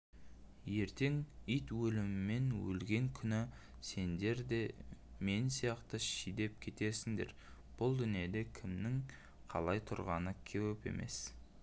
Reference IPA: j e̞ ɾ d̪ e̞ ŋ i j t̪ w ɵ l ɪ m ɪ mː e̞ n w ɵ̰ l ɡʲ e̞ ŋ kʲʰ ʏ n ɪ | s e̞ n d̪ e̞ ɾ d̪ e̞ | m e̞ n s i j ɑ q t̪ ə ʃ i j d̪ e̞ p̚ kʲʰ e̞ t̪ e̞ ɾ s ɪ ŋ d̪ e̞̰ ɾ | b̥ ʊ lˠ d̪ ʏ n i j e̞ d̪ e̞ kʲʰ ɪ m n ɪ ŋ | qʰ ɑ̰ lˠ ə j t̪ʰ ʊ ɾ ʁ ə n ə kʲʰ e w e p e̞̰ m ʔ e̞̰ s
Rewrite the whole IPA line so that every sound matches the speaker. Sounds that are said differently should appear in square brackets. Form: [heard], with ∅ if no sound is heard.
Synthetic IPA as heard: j e̞ ɾ [t̪] e̞ ŋ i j t̪ w ɵ l ɪ m ɪ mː e̞ n w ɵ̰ l ɡʲ e̞ ŋ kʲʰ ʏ n ɪ | s e̞ n d̪ e̞ ɾ d̪ e̞ | m e̞ n s i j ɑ q t̪ ə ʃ i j d̪ e̞ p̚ kʲʰ e̞ t̪ e̞ ɾ s ɪ ŋ d̪ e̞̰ ɾ | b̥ ʊ lˠ d̪ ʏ n i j e̞ d̪ e̞ kʲʰ ɪ m n ɪ ŋ | qʰ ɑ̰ lˠ [ɑ] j t̪ʰ ʊ ɾ ʁ [ɑ] n ə kʲʰ e w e p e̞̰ m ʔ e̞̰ s

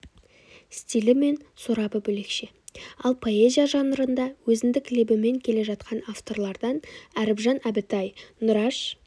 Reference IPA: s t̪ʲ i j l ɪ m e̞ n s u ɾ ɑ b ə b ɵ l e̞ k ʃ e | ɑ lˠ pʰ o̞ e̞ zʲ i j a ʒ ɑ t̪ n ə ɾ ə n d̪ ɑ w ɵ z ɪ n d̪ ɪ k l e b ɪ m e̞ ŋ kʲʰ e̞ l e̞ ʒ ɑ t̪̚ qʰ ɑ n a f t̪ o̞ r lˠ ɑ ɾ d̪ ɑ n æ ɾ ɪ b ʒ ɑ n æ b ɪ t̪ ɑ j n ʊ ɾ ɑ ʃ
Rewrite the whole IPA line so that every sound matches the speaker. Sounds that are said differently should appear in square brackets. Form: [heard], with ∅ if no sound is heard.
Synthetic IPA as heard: s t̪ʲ i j l ɪ m e̞ n s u ɾ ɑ b ə b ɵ l e̞ k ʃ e | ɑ lˠ pʰ o̞ e̞ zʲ i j a ʒ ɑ [∅] n ə ɾ ə n d̪ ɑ w ɵ z ɪ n d̪ ɪ k l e b ɪ m e̞ ŋ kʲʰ e̞ l e̞ ʒ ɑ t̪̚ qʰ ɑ n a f t̪ o̞ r lˠ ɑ ɾ d̪ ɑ n æ ɾ ɪ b ʒ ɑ n æ b ɪ t̪ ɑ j n ʊ ɾ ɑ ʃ

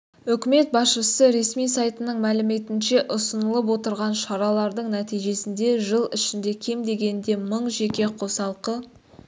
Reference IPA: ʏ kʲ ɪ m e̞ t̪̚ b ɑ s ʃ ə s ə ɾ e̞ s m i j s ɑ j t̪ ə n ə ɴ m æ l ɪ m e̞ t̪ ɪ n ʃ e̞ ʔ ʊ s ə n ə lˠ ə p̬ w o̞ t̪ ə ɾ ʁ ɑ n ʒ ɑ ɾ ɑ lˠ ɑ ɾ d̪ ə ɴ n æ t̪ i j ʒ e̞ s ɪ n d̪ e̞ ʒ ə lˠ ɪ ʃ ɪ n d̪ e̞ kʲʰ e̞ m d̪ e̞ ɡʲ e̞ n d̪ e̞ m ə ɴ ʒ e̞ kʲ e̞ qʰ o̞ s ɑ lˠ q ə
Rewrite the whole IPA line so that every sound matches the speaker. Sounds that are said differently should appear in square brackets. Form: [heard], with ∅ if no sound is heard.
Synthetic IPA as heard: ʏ kʲ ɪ m e̞ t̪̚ b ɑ s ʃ ə s ə ɾ e̞ s m i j s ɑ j t̪ ə n ə ɴ m æ l ɪ m e̞ t̪ ɪ n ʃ e̞ ʔ ʊ s ə n ə lˠ ə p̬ w o̞ t̪ ə ɾ ʁ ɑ n [ʃ] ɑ ɾ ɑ lˠ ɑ ɾ d̪ ə ɴ n æ t̪ i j ʒ e̞ s ɪ n d̪ e̞ ʒ ə lˠ ɪ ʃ ɪ n d̪ e̞ kʲʰ e̞ m d̪ e̞ ɡʲ e̞ n d̪ e̞ m ə ɴ ʒ e̞ kʲ e̞ qʰ o̞ s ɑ lˠ q ə

